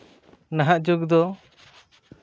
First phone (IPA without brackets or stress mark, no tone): n